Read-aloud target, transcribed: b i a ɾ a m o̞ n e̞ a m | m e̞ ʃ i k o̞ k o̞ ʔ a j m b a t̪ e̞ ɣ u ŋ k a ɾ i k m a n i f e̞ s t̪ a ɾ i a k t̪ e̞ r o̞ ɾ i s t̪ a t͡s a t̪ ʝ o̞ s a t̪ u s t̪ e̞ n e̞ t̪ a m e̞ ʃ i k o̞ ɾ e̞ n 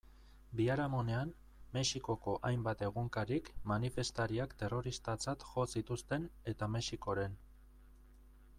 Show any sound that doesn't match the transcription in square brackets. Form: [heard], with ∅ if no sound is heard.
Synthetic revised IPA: b i a ɾ a m o̞ n e̞ a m | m e̞ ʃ i k o̞ k o̞ ʔ a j m b a t̪ e̞ ɣ u ŋ k a ɾ i k m a n i f e̞ s t̪ a ɾ i a k t̪ e̞ r o̞ ɾ i s t̪ a t͡s a t̪ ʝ o̞ s [i] t̪ u s t̪ e̞ n e̞ t̪ a m e̞ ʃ i k o̞ ɾ e̞ n